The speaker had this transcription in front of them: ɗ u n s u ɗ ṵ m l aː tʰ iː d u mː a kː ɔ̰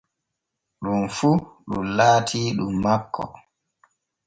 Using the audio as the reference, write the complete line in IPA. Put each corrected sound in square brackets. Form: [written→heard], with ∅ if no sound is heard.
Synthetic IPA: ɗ u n [s→f] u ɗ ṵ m l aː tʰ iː [d→ɗ] u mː a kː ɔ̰